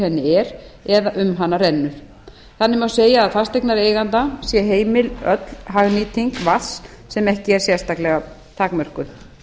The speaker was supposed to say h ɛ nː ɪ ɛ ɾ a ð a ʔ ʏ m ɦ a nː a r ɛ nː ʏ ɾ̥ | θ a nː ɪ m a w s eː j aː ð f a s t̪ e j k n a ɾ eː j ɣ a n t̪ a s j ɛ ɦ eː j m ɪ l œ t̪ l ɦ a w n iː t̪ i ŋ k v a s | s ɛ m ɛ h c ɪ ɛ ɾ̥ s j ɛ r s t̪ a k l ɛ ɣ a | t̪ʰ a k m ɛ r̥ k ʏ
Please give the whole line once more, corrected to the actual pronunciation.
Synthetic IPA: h ɛ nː ɪ ɛ ɾ ɛ ð a ʔ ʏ m ɦ a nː a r ɛ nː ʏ ɾ̥ | θ a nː ɪ m a w s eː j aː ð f a s t̪ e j k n a ɾ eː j ɣ a n t̪ a s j ɛ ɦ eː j m ɪ l œ t̪ l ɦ a ɣ n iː t̪ i ŋ k v a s | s ɛ m ɛ h c ɪ ɛ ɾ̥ s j ɛ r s t̪ a k l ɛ ɣ a | t̪ʰ a k m œ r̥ k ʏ